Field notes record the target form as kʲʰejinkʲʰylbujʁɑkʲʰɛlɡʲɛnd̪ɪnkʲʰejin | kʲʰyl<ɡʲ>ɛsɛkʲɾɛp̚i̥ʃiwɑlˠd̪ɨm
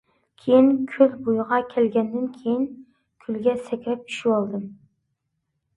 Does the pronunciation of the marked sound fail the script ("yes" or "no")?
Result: no